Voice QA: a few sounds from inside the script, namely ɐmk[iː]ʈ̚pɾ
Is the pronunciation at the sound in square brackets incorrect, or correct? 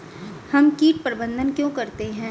correct